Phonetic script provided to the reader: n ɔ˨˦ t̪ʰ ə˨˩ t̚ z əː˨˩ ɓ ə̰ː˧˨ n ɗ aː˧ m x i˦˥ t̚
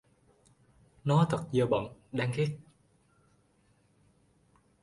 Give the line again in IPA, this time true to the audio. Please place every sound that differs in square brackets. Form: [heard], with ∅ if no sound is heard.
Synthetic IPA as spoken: n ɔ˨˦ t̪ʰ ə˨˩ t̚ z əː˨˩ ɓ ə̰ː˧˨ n ɗ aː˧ [ŋ] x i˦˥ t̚